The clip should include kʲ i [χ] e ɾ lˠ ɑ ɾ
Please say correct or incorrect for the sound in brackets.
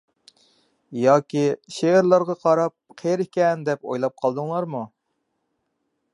incorrect